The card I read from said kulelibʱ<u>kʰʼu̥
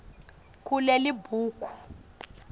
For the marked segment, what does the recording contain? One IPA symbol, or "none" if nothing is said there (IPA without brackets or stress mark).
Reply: uː